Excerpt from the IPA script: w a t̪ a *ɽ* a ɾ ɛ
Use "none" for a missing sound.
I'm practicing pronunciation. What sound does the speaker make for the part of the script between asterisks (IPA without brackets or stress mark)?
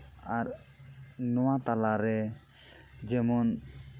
l